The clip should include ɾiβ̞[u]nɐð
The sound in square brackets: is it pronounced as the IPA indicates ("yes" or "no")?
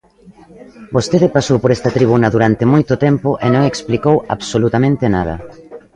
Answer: yes